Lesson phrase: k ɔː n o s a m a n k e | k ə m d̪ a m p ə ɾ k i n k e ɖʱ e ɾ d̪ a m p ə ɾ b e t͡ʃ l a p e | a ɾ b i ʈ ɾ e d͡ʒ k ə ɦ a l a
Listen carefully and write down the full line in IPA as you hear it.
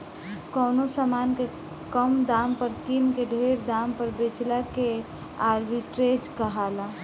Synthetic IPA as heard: k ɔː n o s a m a n k e | k ə m d̪ a m p ə ɾ k i n k e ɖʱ e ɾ d̪ a m p ə ɾ b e t͡ʃ l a k e | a ɾ b i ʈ ɾ e d͡ʒ k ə ɦ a l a